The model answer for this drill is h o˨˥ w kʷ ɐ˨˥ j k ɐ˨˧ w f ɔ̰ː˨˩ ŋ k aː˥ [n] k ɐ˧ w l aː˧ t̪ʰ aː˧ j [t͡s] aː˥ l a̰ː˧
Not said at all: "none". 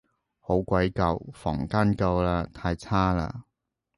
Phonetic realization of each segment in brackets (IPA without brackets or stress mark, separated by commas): n, t͡sʰ